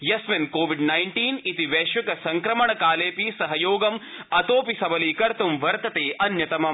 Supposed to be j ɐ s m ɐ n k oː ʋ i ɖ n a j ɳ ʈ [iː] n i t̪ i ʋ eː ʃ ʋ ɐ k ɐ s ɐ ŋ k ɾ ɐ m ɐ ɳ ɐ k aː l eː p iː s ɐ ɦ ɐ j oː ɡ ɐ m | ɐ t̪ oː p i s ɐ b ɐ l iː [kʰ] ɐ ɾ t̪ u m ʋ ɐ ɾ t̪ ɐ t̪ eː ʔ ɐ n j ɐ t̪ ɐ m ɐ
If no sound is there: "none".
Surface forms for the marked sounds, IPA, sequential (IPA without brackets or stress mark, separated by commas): iː, k